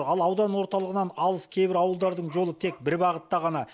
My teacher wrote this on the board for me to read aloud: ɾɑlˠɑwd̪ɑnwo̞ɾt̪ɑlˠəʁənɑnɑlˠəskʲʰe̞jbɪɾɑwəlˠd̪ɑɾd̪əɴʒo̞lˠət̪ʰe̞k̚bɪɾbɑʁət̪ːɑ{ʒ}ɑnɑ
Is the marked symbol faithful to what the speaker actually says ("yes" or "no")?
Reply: no